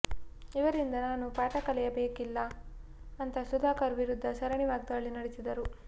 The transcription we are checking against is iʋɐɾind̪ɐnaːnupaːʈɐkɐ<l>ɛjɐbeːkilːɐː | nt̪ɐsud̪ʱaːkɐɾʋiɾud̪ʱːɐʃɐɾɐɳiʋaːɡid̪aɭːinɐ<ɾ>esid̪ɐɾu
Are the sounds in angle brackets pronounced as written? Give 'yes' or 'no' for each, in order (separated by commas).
yes, no